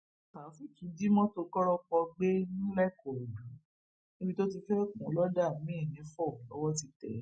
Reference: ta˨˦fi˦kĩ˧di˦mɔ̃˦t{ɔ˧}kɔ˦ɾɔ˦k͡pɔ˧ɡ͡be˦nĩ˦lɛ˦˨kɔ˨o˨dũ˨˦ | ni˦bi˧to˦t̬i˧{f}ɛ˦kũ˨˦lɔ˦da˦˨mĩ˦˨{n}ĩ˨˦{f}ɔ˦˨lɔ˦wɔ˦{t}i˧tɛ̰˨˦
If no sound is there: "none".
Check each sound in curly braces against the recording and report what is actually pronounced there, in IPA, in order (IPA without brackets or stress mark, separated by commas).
o˧, f, n, f, t